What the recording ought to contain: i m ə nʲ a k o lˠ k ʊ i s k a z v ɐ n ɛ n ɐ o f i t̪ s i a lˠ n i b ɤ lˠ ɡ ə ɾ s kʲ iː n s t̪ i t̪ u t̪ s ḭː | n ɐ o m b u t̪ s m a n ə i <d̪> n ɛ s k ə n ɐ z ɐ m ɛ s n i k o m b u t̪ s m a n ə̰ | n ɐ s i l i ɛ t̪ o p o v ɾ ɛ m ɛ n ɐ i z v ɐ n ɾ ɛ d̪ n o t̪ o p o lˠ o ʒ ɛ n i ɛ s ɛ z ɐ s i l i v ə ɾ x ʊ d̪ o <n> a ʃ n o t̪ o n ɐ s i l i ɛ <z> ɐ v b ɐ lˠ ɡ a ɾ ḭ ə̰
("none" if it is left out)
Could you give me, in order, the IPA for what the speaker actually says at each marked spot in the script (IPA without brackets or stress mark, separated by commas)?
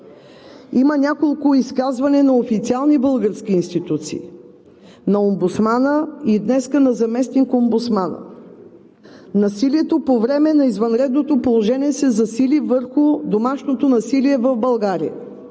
d̪, m, v